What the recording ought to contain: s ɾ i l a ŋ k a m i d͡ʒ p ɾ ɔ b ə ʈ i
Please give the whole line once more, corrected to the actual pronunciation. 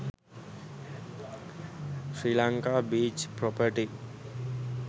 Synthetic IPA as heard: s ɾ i l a ŋ k a b i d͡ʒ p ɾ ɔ p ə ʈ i